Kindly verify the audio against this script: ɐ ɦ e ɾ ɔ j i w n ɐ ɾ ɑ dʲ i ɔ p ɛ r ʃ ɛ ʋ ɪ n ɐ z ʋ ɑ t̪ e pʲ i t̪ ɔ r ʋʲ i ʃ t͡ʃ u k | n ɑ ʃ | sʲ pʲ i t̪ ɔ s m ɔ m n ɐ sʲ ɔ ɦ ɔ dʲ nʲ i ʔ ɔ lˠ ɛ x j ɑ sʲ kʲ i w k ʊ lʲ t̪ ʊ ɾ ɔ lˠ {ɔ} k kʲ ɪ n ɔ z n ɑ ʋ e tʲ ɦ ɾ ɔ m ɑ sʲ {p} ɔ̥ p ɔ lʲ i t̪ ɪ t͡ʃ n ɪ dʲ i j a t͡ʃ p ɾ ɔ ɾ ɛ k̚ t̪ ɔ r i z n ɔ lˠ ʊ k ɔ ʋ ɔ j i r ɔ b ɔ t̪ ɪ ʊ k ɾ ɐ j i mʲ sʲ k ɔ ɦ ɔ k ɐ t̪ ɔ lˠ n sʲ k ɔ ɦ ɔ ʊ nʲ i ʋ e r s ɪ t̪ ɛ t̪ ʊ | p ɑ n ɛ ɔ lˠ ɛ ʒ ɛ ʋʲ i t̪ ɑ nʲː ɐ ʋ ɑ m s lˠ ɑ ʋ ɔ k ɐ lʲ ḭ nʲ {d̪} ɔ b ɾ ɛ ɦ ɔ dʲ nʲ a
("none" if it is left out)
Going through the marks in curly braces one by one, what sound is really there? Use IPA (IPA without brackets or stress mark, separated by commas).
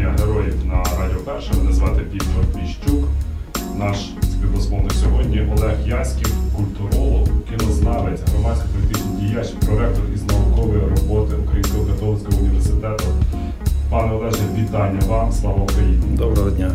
ɔ, k, d̪